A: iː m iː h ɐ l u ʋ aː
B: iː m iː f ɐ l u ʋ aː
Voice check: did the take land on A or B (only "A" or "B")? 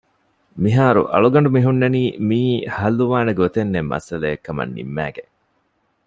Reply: A